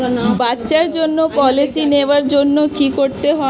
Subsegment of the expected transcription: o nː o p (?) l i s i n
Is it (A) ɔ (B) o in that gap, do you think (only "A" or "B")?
A